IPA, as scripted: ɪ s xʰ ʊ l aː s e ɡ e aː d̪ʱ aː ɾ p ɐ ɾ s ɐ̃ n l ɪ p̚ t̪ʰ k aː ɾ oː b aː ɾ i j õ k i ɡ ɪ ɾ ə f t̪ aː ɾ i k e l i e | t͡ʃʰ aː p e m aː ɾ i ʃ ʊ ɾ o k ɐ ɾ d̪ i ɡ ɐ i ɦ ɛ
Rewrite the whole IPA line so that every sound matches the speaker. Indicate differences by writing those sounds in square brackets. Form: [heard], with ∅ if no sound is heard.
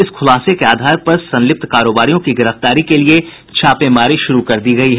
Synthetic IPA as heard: ɪ s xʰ ʊ l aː s e [k] e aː d̪ʱ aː ɾ p ɐ ɾ s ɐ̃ n l ɪ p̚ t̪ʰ k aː ɾ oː b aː ɾ i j õ k i ɡ ɪ ɾ ə f t̪ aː ɾ i k e l i e | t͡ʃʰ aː p e m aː ɾ i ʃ ʊ ɾ [u] k ɐ ɾ d̪ i ɡ ɐ i ɦ ɛ

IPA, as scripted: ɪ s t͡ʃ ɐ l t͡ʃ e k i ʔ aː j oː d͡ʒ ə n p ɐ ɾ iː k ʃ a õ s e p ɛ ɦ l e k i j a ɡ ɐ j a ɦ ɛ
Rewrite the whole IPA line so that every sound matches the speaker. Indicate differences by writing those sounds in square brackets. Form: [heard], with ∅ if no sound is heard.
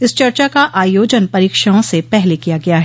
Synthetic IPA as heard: ɪ s t͡ʃ ɐ [ɾ] t͡ʃ [a] k [a] ʔ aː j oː d͡ʒ ə n p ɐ ɾ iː k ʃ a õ s e p ɛ ɦ l e k i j a ɡ ɐ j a ɦ ɛ

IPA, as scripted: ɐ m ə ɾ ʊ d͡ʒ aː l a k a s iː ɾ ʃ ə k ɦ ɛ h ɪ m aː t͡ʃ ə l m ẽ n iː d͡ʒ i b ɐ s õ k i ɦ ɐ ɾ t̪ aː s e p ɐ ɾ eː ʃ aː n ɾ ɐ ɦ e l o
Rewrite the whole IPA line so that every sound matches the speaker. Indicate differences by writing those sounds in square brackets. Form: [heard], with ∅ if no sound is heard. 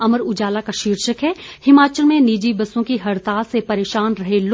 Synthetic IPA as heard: ɐ m ə ɾ ʊ d͡ʒ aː l a k a [ʃ] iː ɾ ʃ ə k ɦ ɛ h ɪ m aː t͡ʃ ə l m ẽ n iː d͡ʒ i b ɐ s õ k i ɦ ɐ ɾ t̪ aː s e p ɐ ɾ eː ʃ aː n ɾ ɐ ɦ e l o

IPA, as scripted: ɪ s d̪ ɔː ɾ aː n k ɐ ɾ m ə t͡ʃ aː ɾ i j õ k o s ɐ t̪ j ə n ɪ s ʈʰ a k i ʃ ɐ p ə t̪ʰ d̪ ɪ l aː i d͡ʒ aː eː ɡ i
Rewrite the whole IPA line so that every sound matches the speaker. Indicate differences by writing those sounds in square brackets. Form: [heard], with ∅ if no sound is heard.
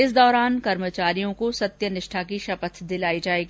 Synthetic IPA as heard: ɪ s d̪ ɔː ɾ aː n k ɐ ɾ m ə t͡ʃ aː ɾ i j õ k o s ɐ t̪ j ə n ɪ [ʃ] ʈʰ a k i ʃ ɐ p ə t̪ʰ d̪ ɪ l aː i d͡ʒ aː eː ɡ i

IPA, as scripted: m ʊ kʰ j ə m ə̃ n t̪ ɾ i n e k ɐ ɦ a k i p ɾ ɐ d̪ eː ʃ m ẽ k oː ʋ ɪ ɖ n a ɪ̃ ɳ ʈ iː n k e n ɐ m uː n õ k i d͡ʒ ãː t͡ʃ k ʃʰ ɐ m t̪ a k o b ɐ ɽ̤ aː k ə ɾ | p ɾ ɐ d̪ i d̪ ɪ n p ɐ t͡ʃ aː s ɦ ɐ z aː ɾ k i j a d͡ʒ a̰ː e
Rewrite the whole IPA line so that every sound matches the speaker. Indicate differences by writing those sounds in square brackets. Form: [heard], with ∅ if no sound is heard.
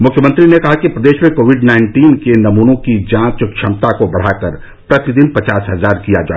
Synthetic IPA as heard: m ʊ kʰ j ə m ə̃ n t̪ ɾ i n e k ɐ ɦ a k i p ɾ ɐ d̪ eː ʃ m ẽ k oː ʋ ɪ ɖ n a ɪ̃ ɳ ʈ iː n k e n ɐ m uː n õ k i d͡ʒ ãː t͡ʃ k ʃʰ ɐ m t̪ a k o b ɐ ɽ̤ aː k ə ɾ | p ɾ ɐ [t̪] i d̪ ɪ n p ɐ t͡ʃ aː s ɦ ɐ z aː ɾ k i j a d͡ʒ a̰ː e

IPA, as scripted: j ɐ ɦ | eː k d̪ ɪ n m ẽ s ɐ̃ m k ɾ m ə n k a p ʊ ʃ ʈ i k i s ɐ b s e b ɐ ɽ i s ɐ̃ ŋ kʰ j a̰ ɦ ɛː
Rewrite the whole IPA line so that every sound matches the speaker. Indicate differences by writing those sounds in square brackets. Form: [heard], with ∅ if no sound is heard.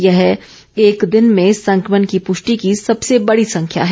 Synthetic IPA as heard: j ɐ ɦ | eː k d̪ ɪ n m ẽ s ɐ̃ [ŋ] k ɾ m ə n k [i] p ʊ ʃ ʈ i k i s ɐ b s e b ɐ ɽ i s ɐ̃ ŋ kʰ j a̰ ɦ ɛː

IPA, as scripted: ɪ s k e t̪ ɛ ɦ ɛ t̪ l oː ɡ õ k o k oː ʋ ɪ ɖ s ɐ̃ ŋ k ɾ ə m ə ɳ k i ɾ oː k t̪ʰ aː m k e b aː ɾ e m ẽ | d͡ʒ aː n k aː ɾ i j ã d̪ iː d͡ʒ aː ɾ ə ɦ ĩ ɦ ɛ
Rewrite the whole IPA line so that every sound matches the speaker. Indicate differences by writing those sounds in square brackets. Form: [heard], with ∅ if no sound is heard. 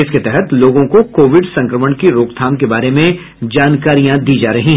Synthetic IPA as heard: ɪ s k e t̪ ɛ ɦ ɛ t̪ l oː ɡ õ k o k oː ʋ ɪ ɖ s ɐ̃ ŋ k ɾ ə m ə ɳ k i ɾ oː k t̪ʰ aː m k e b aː ɾ e m ẽ | d͡ʒ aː n k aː ɾ i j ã d̪ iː d͡ʒ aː ɾ [ɐ] ɦ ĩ ɦ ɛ

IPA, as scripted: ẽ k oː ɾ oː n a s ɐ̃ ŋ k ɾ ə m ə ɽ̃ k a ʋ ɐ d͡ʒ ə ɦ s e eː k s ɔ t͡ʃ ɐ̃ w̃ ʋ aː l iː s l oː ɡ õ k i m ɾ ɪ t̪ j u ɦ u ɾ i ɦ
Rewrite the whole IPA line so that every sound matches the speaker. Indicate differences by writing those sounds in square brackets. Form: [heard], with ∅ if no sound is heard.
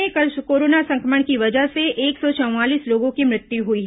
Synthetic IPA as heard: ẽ k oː ɾ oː n a s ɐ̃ ŋ k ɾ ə m ə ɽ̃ k [i] ʋ ɐ d͡ʒ ə ɦ s e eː k s ɔ t͡ʃ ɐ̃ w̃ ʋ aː l iː s l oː ɡ õ k i m ɾ ɪ t̪ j u ɦ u [∅] i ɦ

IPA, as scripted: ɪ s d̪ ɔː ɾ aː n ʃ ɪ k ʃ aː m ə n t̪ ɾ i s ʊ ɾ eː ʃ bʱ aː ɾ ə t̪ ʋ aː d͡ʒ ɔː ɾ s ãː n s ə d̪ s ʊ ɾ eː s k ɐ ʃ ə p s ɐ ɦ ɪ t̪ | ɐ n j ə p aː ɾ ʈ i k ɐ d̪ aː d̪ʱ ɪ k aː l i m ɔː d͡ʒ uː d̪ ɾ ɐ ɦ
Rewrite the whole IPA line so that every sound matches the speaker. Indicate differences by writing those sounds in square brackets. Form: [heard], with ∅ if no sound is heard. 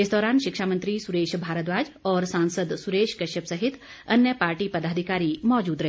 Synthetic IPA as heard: ɪ s d̪ ɔː ɾ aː n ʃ ɪ k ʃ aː m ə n t̪ ɾ i s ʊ ɾ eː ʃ bʱ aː ɾ ə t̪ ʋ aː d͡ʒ ɔː ɾ s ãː n s ə d̪ s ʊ ɾ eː [ʃ] k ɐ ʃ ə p s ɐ ɦ ɪ t̪ | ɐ n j ə p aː ɾ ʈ i [p] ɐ d̪ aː d̪ʱ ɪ k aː [ɾ] i m ɔː d͡ʒ uː d̪ ɾ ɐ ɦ

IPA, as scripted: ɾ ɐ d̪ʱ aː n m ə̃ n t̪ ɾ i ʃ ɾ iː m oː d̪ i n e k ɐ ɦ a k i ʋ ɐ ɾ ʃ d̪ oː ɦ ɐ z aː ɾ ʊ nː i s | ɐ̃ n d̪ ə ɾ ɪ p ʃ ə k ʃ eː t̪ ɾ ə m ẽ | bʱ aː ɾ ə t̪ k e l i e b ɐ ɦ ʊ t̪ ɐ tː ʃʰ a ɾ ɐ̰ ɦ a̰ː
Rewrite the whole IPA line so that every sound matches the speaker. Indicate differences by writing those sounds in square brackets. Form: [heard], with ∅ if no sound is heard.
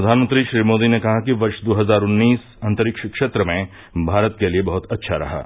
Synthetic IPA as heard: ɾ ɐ d̪ʱ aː n m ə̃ n t̪ ɾ i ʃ ɾ iː m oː d̪ i n e k ɐ ɦ a k i ʋ ɐ ɾ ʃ d̪ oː ɦ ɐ z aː ɾ ʊ nː [iː] s | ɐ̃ n [t̪] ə ɾ ɪ [k] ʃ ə k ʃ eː t̪ ɾ ə m ẽ | bʱ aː ɾ ə t̪ k e l i e b ɐ ɦ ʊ t̪ ɐ tː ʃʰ a ɾ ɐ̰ ɦ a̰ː

